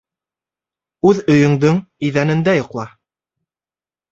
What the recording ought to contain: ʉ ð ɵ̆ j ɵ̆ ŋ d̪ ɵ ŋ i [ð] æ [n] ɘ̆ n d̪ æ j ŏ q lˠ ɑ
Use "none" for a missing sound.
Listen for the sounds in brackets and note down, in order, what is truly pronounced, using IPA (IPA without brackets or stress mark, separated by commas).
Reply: ð, n